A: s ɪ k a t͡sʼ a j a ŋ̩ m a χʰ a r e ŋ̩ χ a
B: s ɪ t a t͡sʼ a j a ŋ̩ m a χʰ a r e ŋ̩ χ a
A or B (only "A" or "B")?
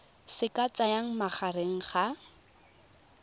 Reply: A